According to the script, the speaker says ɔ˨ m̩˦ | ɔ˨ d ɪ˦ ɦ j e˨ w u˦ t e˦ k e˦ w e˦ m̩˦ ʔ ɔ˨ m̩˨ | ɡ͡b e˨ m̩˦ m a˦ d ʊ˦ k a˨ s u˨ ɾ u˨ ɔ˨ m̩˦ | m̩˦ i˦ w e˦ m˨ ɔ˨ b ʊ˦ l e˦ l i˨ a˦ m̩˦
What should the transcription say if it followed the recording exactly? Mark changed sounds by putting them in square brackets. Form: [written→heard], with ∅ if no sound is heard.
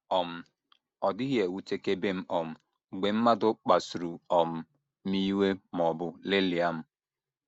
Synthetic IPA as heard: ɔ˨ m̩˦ | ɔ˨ d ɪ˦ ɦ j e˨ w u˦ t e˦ k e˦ [w→b] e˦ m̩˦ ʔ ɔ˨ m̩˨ | ɡ͡b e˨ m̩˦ m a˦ d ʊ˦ [k→k͡p] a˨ s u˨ ɾ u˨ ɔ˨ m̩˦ | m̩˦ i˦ w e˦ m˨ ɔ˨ b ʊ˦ l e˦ l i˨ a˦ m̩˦